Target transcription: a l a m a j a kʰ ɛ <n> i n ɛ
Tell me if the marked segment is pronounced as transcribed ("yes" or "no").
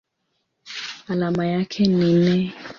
yes